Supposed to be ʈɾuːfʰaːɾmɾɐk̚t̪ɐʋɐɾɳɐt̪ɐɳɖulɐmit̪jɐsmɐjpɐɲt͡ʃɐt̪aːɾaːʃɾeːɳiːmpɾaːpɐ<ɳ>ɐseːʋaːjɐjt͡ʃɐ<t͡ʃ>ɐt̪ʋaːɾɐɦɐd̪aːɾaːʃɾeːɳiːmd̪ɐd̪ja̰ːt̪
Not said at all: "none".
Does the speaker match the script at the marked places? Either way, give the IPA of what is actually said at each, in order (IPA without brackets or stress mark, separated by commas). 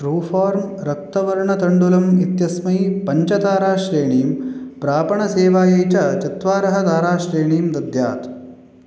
ɳ, t͡ʃ